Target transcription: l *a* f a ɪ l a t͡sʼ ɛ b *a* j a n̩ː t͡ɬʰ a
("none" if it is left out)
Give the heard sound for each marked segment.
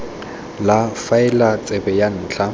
a, ɛ

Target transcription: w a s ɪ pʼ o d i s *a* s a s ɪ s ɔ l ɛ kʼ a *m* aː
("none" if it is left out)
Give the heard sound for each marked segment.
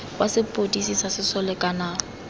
i, n

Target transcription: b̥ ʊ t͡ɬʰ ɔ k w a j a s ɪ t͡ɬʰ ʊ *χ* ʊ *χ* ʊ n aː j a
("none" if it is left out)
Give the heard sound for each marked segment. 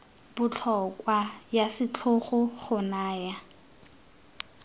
χ, χ

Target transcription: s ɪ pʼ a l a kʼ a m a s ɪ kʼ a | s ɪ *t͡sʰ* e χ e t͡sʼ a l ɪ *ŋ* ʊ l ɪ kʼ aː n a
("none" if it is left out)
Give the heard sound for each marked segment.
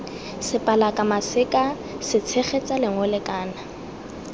t͡sʰ, ŋ

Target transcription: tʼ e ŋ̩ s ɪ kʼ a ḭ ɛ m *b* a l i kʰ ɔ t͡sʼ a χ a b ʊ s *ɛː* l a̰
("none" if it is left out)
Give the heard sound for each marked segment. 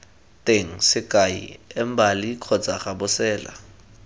b, ɛː

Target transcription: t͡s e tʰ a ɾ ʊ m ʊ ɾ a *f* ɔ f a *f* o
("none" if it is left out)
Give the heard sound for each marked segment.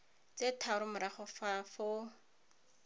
χ, f

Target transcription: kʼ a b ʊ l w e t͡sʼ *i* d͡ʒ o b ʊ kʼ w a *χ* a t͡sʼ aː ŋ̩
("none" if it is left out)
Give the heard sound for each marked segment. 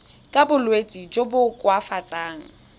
i, f

